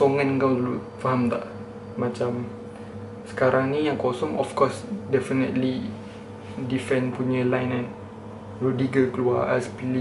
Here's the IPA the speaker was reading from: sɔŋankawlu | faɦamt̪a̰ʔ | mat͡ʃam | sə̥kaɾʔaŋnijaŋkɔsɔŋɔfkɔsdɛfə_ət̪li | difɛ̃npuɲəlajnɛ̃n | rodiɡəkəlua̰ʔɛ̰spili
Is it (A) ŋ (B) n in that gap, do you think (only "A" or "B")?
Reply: B